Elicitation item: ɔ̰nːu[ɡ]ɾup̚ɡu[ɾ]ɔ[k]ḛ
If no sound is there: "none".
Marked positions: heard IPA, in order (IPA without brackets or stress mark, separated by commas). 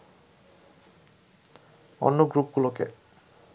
ɡ, l, k